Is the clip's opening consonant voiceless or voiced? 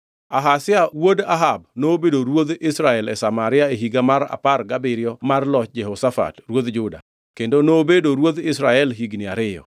voiced